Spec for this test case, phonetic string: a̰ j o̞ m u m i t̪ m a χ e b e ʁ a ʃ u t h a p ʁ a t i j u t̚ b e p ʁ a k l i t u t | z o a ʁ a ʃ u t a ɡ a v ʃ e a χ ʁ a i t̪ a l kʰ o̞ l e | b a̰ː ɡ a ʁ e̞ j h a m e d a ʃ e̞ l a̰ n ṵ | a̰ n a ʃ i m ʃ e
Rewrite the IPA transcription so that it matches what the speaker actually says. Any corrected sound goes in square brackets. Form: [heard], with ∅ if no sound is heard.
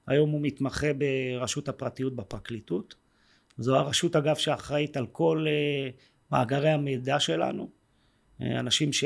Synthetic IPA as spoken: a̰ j o̞ m u m i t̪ m a χ e b e ʁ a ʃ u t h a p ʁ a t i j u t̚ b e p ʁ a k l i t u t | z o a ʁ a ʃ u t a ɡ a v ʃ e a χ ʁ a i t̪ a l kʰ o̞ l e | [m] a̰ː ɡ a ʁ e̞ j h a m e d a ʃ e̞ l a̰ n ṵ | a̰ n a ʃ i m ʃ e